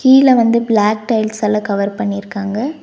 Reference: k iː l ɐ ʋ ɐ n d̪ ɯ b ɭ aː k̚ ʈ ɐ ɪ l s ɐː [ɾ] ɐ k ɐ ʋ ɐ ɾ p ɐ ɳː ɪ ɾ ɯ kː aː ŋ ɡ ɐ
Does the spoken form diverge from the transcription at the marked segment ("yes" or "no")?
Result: yes